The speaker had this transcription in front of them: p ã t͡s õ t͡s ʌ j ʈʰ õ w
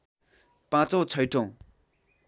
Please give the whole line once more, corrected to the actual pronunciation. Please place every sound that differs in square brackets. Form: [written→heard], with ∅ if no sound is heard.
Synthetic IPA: p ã t͡s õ [t͡s→t͡sʰ] ʌ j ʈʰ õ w